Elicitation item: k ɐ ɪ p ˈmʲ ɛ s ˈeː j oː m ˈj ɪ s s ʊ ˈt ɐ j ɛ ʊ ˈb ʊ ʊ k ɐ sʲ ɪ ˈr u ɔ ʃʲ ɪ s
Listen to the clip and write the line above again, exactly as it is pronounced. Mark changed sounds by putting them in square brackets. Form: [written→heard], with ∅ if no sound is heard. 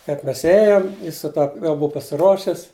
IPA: k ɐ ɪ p ˈmʲ ɛ s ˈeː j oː m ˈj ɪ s s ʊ ˈt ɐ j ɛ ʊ ˈb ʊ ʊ [k→p] ɐ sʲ ɪ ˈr u ɔ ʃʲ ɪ s